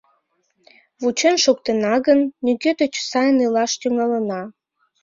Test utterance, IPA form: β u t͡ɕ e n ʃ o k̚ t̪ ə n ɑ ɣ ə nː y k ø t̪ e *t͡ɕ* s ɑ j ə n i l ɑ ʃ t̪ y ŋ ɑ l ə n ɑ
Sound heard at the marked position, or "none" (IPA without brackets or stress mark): t͡ɕ